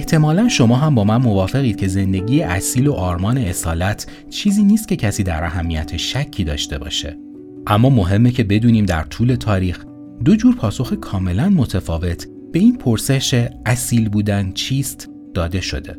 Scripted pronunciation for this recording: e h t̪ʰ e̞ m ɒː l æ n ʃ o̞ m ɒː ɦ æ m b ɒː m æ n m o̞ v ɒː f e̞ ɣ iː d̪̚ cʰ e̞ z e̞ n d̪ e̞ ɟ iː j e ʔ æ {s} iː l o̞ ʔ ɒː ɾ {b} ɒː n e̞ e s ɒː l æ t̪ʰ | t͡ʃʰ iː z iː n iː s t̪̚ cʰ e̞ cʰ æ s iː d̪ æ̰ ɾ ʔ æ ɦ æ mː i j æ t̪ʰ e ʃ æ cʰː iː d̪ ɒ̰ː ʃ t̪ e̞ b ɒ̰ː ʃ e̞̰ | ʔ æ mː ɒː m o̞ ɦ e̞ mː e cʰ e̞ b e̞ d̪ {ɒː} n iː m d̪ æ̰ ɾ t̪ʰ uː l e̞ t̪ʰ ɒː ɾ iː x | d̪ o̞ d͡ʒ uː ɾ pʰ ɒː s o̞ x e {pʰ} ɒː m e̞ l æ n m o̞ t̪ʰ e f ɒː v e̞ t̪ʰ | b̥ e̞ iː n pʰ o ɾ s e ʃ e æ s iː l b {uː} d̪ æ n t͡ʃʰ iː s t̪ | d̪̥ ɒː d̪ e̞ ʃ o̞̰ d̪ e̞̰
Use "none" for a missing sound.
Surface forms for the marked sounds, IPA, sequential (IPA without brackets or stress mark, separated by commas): s, m, uː, kʰ, uː